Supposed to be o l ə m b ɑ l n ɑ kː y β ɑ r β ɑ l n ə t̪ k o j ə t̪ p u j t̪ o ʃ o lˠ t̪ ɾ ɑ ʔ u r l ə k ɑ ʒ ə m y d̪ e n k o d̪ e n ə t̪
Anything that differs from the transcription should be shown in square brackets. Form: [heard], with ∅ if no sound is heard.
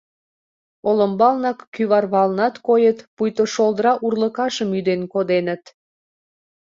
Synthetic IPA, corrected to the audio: o l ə m b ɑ l n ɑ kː y β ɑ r β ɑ l n [ɑ] t̪ k o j ə t̪ p u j t̪ o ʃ o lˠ [d̪] ɾ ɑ ʔ u r l ə k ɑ [ʃ] ə m y d̪ e n k o d̪ e n ə t̪

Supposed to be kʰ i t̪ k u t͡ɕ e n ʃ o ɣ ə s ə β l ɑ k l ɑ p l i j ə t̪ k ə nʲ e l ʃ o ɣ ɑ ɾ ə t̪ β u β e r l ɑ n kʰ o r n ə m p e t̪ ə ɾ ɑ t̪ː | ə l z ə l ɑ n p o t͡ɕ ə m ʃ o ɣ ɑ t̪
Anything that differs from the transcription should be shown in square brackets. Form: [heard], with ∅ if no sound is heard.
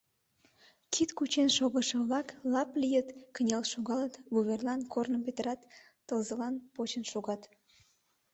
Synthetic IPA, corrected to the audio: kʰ i t̪ k u t͡ɕ e n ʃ o ɣ ə [ʃ] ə β l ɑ k l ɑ p l i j ə t̪ k ə nʲ e l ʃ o ɣ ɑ [l] ə t̪ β u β e r l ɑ n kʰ o r n ə m p e t̪ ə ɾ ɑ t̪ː | ə l z ə l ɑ n p o t͡ɕ ə [n] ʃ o ɣ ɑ t̪

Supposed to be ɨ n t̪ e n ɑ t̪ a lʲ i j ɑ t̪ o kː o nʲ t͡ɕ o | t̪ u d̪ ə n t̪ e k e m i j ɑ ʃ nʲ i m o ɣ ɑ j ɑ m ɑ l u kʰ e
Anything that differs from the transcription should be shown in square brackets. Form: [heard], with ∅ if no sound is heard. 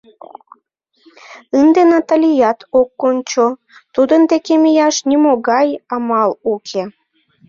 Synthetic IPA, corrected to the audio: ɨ n [d̪] e n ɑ t̪ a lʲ i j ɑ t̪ o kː o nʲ t͡ɕ o | t̪ u d̪ ə n [d̪] e k e m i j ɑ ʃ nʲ i m o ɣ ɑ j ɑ m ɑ l u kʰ e

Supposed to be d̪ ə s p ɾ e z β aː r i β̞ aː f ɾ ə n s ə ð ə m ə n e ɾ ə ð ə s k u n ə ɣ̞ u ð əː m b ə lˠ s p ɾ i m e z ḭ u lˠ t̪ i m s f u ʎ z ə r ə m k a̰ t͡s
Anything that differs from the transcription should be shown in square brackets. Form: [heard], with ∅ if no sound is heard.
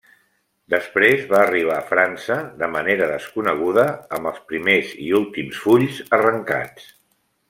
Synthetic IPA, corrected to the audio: d̪ ə s p ɾ e z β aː r i β̞ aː f ɾ [a] n s ə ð ə m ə n e ɾ ə ð ə s k u n ə ɣ̞ u ð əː m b ə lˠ s p ɾ i m e z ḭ u lˠ t̪ i m s f u ʎ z ə r ə [ŋ] k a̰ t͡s

